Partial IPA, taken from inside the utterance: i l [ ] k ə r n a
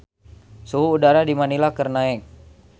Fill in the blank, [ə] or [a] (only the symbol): a